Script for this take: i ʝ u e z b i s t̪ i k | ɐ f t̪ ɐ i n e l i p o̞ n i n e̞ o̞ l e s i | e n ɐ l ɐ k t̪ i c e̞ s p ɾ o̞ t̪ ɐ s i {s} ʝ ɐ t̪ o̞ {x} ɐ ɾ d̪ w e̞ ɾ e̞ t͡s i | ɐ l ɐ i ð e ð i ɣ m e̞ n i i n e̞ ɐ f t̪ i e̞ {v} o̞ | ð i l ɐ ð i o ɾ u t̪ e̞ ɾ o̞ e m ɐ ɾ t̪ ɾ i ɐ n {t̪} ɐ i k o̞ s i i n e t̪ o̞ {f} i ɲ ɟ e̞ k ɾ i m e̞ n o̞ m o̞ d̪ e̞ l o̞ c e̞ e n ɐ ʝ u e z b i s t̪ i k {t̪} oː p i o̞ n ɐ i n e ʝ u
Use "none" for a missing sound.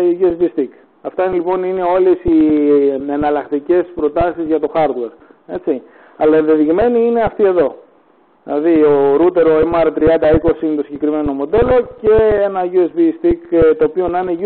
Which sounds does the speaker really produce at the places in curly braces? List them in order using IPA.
z, x, ð, d̪, s, t̪

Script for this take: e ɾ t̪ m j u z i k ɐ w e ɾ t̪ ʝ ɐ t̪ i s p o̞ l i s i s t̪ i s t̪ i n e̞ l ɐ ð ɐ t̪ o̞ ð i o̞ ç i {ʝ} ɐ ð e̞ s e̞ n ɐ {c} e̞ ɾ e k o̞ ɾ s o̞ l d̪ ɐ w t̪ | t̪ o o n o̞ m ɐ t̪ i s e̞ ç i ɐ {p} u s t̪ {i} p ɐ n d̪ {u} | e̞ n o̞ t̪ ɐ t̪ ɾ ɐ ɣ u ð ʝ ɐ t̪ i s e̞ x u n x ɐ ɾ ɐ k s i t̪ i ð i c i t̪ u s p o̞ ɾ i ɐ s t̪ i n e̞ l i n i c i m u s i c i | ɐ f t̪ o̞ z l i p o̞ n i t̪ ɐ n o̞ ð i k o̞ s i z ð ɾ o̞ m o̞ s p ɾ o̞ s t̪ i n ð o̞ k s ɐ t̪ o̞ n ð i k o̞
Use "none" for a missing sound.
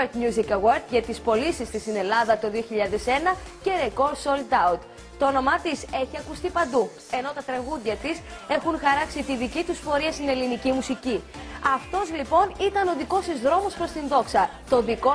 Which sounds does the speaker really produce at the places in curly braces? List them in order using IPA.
ʎ, c, k, i, u

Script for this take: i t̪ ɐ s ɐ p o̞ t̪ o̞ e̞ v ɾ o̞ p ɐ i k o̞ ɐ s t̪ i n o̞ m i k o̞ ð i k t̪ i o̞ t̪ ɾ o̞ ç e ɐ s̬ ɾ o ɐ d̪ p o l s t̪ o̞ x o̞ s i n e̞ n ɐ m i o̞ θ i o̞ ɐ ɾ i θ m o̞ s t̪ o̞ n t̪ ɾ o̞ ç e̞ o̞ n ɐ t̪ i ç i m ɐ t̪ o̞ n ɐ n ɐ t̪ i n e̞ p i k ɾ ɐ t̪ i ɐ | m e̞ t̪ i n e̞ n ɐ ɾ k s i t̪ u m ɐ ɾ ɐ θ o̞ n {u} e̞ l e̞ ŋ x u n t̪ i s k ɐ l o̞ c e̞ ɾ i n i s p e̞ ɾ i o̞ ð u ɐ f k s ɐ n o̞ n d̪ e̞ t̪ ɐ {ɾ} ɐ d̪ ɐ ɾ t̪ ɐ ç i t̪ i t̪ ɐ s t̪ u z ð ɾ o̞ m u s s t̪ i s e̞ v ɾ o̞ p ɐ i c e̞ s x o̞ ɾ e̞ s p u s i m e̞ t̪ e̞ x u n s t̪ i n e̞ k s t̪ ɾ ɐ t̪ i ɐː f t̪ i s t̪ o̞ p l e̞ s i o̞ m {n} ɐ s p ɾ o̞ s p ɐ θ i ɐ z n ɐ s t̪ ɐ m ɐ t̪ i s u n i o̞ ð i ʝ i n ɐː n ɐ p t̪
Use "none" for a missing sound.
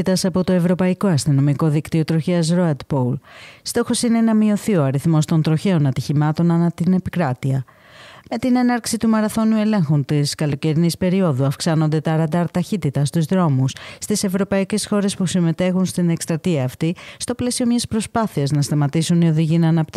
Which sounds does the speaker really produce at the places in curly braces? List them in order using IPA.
u, ɾ, ɲ

